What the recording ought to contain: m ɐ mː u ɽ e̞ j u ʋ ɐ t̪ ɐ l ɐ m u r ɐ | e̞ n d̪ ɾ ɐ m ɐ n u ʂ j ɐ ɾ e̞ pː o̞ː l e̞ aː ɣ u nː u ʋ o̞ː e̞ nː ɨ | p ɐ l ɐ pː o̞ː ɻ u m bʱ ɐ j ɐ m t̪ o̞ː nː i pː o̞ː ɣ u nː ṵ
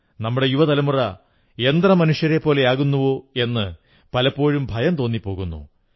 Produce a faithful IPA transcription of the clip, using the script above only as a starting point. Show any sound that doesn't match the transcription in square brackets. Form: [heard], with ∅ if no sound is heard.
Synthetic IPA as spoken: [n] ɐ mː u ɽ e̞ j u ʋ ɐ t̪ ɐ l ɐ m u r ɐ | e̞ n d̪ [r] ɐ m ɐ n u ʂ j ɐ ɾ e̞ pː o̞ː l e̞ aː ɣ u nː u ʋ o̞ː e̞ nː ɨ | p ɐ l ɐ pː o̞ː ɻ u m bʱ ɐ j ɐ m t̪ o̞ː nː i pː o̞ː ɣ u nː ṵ